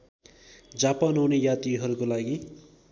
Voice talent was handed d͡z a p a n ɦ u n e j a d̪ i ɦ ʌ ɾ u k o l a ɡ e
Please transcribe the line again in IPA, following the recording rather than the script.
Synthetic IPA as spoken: d͡z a p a n ɦ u n e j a t̪ i ɦ ʌ ɾ u k o l a ɡ i